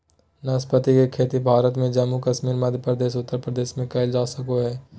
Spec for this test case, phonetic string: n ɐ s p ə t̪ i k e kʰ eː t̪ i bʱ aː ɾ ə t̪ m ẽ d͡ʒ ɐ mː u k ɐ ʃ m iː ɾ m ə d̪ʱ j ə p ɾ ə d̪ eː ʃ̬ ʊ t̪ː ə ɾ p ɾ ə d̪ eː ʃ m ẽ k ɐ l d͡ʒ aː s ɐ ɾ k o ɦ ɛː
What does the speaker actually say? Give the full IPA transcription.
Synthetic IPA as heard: n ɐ s p ə t̪ i k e kʰ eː t̪ i bʱ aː ɾ ə t̪ m ẽ d͡ʒ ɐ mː u k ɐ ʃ m iː ɾ m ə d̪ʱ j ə p ɾ ə d̪ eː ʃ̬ ʊ t̪ː ə ɾ p ɾ ə d̪ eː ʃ m ẽ k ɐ l d͡ʒ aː s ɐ k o ɦ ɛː

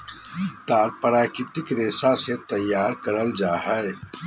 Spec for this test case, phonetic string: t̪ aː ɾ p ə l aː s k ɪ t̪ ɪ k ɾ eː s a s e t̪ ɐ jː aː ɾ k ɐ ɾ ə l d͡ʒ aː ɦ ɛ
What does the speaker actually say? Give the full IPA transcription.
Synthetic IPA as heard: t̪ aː ɾ p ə ɾ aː k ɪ t̪ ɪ k ɾ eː s a s e t̪ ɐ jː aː ɾ k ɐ ɾ ə l d͡ʒ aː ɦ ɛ

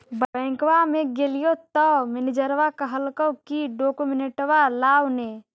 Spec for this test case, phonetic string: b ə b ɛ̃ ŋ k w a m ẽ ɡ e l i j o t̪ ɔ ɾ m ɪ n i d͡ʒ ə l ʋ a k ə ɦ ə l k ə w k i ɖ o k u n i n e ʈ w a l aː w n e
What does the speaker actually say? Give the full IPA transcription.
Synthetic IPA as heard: b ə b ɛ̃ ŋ k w a m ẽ ɡ e l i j o t̪ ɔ m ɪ n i d͡ʒ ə ɾ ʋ a k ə ɦ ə l k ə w k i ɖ o k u m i n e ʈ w a l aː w n e

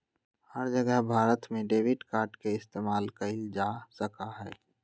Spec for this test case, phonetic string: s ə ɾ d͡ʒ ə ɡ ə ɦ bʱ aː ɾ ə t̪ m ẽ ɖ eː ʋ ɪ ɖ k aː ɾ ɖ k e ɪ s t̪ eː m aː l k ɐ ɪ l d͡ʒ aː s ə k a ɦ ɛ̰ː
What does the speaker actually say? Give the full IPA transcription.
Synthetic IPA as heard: h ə ɾ d͡ʒ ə ɡ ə ɦ bʱ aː ɾ ə t̪ m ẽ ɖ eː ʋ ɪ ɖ k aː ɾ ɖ k e ɪ s t̪ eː m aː l k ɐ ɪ l d͡ʒ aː s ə k a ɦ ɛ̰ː

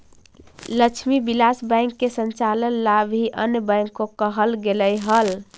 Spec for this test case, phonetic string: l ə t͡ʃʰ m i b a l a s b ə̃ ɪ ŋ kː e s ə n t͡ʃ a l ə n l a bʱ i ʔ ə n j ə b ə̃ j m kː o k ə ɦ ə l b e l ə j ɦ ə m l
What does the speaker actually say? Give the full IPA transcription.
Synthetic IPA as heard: l ə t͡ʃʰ m i b i l a s b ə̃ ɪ ŋ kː e s ə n t͡ʃ a l ə n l a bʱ i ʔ ə n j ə b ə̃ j ŋ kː o k ə ɦ ə l ɡ e l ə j ɦ ə l

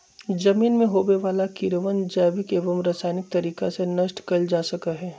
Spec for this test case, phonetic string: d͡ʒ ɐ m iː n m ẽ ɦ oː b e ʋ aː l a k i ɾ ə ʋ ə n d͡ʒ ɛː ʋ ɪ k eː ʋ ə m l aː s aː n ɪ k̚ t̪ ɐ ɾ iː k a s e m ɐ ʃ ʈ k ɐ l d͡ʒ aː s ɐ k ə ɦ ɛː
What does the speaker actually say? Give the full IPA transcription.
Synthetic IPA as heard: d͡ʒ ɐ m iː n m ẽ ɦ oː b e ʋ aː l a k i ɾ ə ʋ ə n d͡ʒ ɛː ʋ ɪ k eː ʋ ə m ɾ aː s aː n ɪ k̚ t̪ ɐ ɾ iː k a s e n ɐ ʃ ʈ k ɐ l d͡ʒ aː s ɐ k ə ɦ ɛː

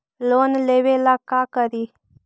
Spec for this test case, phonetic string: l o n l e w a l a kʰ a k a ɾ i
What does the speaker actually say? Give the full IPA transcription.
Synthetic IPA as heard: l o n l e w e l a k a k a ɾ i

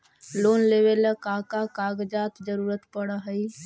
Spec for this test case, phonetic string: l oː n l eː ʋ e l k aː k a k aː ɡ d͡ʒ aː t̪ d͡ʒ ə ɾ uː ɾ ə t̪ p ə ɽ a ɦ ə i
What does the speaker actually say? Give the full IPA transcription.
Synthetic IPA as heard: l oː n l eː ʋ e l k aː k a k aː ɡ d͡ʒ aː t̪ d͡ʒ ə ɾ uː ɾ ə t̪ p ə ɽ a ɦ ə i

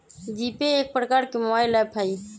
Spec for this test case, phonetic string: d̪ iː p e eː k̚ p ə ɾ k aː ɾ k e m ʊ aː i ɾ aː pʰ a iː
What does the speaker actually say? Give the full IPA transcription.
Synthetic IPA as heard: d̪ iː p e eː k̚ p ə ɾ k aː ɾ k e m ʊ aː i l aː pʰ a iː

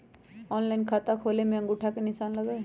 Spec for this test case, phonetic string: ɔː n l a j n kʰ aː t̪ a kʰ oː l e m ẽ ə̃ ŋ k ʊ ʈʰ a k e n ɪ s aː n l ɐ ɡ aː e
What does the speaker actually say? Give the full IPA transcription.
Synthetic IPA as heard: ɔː n l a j n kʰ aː t̪ a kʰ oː l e m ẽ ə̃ ŋ ɡ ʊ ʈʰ a k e n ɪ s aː n l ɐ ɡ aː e

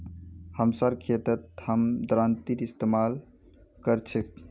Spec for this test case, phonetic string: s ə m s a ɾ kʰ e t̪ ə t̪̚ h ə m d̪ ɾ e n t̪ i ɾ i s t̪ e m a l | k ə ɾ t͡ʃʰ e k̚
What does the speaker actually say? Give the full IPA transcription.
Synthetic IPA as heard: h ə m s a ɾ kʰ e t̪ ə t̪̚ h ə m d̪ ɾ a n t̪ i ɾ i s t̪ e m a l | k ə ɾ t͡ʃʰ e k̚

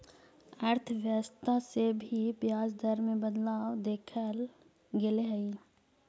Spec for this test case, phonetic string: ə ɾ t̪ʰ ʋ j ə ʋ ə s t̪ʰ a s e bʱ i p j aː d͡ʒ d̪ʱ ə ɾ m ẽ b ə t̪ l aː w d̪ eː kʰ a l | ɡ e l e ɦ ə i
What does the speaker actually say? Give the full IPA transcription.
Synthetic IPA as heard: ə ɾ t̪ʰ ʋ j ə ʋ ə s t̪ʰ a s e bʱ i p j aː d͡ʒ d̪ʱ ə ɾ m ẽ b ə d̪ l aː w d̪ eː kʰ ə l | ɡ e l e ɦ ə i

